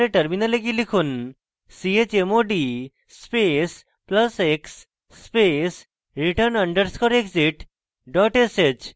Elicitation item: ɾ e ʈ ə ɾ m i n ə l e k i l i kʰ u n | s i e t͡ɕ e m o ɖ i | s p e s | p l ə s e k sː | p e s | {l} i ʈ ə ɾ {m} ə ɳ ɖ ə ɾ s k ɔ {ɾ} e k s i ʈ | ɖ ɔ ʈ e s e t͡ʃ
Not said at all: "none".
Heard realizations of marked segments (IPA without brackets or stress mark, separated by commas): ɾ, n, ɾ